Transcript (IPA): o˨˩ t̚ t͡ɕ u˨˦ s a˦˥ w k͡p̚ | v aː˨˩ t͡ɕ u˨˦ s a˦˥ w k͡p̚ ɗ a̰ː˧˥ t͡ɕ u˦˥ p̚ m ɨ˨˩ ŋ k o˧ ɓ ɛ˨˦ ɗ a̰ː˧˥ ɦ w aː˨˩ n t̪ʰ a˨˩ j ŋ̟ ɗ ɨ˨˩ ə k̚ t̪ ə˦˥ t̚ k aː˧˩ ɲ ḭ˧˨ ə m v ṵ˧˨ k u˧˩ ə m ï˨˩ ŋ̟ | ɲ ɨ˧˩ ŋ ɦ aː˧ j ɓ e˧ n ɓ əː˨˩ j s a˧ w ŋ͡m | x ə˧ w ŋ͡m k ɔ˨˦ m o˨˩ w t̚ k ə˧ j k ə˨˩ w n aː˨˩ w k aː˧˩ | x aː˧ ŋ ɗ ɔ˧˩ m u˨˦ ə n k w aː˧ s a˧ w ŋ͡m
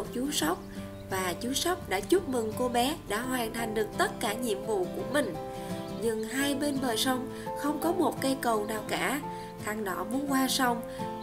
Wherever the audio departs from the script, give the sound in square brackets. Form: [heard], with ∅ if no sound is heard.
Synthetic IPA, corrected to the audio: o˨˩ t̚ t͡ɕ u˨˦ s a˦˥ w k͡p̚ | v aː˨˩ t͡ɕ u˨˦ s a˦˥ w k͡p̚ ɗ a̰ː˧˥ t͡ɕ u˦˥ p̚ m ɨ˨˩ ŋ k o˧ ɓ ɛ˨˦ ɗ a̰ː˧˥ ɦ w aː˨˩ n t̪ʰ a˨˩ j ŋ̟ ɗ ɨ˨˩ ə k̚ t̪ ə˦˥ t̚ k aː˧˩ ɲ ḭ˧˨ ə m v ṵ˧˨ k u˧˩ ə m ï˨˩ ŋ̟ | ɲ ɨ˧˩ ŋ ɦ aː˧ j ɓ e˧ n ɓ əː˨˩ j s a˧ w ŋ͡m | x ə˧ w ŋ͡m k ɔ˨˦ m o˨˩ [∅] t̚ k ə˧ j k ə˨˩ w n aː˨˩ w k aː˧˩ | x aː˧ ŋ ɗ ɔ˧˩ m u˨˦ ə n k w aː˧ s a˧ w ŋ͡m

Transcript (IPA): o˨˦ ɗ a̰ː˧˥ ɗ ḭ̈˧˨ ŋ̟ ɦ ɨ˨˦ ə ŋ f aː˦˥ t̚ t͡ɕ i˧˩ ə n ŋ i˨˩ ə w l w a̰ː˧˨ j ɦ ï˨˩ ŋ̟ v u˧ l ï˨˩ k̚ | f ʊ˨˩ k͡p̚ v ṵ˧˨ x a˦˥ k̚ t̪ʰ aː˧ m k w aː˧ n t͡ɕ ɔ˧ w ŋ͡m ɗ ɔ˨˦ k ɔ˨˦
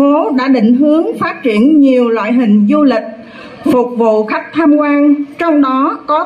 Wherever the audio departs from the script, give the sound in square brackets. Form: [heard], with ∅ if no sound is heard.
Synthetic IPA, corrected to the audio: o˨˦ ɗ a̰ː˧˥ ɗ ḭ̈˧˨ ŋ̟ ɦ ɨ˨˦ ə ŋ f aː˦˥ t̚ t͡ɕ i˧˩ ə n [ɲ] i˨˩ ə w l w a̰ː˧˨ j ɦ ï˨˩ ŋ̟ [z] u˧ l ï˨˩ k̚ | f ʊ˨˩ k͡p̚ v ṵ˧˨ x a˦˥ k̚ t̪ʰ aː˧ m k w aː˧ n t͡ɕ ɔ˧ w ŋ͡m ɗ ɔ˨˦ k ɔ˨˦

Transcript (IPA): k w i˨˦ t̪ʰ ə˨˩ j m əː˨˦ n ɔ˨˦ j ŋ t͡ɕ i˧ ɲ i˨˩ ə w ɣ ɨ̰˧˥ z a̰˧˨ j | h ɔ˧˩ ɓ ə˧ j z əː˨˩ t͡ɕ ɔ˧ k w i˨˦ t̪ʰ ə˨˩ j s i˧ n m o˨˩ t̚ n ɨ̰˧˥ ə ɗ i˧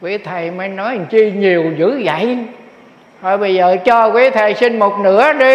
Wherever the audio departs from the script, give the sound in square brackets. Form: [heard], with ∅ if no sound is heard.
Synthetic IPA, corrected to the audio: k w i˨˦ t̪ʰ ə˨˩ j m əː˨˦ n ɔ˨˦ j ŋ t͡ɕ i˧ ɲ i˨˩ ə w [z] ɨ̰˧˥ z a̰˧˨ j | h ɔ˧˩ ɓ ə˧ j z əː˨˩ t͡ɕ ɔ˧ k w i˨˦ t̪ʰ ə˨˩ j s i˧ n m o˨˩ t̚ n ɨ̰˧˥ ə ɗ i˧

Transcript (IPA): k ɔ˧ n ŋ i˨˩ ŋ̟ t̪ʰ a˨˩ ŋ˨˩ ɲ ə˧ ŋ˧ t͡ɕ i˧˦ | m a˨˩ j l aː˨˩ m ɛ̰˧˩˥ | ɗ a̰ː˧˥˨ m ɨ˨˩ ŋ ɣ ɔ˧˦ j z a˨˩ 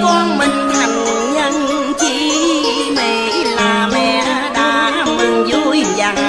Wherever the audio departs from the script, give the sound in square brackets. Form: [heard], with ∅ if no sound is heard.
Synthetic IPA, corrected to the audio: k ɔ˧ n [m] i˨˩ ŋ̟ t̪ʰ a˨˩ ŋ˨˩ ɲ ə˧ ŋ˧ t͡ɕ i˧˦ | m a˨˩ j l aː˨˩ m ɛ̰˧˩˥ | ɗ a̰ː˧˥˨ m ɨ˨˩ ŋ [z] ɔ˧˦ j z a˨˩

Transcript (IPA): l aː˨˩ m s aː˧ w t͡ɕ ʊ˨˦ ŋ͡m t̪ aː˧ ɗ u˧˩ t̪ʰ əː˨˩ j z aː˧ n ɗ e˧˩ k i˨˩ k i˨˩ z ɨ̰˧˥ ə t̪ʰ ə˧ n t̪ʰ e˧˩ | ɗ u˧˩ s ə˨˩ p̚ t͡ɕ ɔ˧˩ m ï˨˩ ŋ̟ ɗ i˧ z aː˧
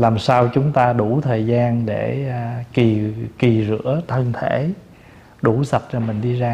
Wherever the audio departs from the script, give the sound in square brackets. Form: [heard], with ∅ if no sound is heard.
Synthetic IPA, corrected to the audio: l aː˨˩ m s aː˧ w t͡ɕ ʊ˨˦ ŋ͡m t̪ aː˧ ɗ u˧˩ t̪ʰ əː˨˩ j z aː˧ n ɗ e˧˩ k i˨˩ k i˨˩ z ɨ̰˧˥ ə t̪ʰ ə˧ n t̪ʰ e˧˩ | ɗ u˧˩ s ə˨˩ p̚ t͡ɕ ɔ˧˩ m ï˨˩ ŋ̟ ɗ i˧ z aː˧

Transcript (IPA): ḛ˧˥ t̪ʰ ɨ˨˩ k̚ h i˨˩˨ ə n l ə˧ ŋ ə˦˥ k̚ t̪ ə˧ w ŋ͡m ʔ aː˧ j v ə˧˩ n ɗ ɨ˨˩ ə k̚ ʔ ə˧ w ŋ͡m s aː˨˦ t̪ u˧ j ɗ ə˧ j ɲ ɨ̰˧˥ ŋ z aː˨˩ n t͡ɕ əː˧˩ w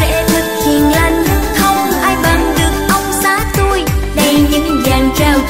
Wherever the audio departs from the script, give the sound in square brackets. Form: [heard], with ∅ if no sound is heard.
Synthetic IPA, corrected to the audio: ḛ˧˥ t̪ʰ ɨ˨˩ k̚ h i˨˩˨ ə n l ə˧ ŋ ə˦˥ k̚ [t̪ʰ] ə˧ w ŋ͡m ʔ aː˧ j v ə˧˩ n ɗ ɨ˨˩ ə k̚ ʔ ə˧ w ŋ͡m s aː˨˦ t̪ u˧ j ɗ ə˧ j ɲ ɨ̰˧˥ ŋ z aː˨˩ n t͡ɕ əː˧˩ w

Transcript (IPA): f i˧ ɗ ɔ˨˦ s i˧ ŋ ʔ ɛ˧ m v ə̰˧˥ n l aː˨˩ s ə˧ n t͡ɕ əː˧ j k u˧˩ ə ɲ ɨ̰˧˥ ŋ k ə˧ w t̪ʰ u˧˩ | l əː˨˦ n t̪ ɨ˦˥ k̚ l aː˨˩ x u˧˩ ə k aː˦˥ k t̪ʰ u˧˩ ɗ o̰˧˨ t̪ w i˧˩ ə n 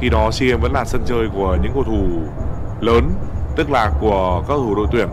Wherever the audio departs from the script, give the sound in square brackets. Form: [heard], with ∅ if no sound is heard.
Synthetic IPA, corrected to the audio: [x] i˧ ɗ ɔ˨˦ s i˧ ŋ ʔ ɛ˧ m v ə̰˧˥ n l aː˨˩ s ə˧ n t͡ɕ əː˧ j k u˧˩ ə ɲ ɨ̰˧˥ ŋ k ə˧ w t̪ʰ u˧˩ | l əː˨˦ n t̪ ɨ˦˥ k̚ l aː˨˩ [k] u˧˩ ə k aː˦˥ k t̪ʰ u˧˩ ɗ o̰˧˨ t̪ w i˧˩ ə n

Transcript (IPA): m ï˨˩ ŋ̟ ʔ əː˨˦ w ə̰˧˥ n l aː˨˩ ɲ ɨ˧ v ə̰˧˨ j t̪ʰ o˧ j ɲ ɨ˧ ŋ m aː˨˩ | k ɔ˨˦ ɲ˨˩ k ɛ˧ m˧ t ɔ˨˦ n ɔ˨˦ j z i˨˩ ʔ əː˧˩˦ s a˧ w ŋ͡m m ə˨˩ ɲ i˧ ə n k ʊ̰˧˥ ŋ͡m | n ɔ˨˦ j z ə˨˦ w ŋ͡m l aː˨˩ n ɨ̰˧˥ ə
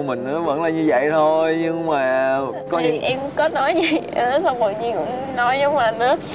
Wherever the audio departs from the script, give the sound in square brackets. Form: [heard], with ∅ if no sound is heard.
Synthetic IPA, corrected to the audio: m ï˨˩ ŋ̟ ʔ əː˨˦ [v] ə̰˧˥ n l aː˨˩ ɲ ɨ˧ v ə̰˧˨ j t̪ʰ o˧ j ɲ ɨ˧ ŋ m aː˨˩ | k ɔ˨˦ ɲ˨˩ [ʔ] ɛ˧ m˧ [k] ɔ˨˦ n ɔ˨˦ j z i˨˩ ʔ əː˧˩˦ s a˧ w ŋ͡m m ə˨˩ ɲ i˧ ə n k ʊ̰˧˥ ŋ͡m | n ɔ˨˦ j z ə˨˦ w ŋ͡m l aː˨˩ n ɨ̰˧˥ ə

